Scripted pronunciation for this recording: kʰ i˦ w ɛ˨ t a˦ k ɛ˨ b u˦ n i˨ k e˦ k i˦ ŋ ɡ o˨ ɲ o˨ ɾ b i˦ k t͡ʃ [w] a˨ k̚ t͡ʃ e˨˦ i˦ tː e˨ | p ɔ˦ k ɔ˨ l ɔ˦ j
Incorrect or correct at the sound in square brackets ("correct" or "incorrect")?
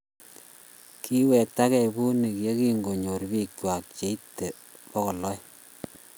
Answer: correct